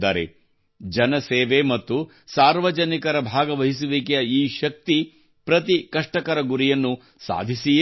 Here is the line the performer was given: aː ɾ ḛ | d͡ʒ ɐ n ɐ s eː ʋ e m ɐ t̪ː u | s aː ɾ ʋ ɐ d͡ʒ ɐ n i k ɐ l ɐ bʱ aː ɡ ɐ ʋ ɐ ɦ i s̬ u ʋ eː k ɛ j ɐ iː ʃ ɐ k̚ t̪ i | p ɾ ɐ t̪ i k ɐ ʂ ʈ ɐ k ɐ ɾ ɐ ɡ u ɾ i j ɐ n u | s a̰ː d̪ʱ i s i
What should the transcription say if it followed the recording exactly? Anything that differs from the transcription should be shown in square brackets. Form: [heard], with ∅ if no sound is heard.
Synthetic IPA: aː ɾ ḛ | d͡ʒ ɐ n ɐ s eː ʋ e m ɐ t̪ː u | s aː ɾ ʋ ɐ d͡ʒ ɐ n i k ɐ [ɾ] ɐ bʱ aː ɡ ɐ ʋ ɐ ɦ i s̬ u ʋ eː k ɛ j ɐ iː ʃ ɐ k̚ t̪ i | p ɾ ɐ t̪ i k ɐ ʂ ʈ ɐ k ɐ ɾ ɐ ɡ u ɾ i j ɐ [nː] u | s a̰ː d̪ʱ i s i